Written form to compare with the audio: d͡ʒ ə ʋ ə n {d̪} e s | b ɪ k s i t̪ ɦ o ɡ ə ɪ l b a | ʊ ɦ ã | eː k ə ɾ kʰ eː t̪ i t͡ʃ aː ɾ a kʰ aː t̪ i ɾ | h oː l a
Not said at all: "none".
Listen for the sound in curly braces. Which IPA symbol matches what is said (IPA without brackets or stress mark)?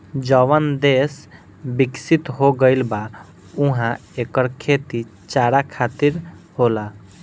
d̪